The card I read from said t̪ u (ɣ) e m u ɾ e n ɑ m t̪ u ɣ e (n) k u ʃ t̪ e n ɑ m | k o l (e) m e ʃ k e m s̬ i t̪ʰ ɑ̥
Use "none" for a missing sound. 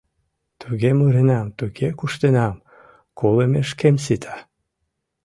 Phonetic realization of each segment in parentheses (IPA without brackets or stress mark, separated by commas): ɣ, none, e